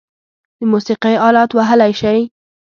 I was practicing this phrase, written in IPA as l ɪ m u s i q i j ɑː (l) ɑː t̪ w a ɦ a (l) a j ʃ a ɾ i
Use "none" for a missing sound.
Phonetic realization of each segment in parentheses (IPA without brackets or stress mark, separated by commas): l, l